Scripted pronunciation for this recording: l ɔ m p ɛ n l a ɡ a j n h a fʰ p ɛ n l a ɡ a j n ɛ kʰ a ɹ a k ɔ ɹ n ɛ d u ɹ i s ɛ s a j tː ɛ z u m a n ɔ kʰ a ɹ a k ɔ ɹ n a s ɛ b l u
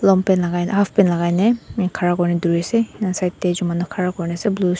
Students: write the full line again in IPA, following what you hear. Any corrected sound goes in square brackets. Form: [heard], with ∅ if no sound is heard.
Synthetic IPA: l ɔ m p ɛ n l a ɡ a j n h a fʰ p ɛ n l a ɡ a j n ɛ kʰ a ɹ a k ɔ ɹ n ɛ d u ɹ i s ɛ s a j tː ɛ z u m a n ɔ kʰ a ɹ a k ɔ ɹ n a s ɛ b l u